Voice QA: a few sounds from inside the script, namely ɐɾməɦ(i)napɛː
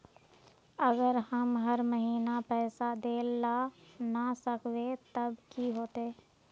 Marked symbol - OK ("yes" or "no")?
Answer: no